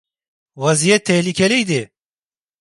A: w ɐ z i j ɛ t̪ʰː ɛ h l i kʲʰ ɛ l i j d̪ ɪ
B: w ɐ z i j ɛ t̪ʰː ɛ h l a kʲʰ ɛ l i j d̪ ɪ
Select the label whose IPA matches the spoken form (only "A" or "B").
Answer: A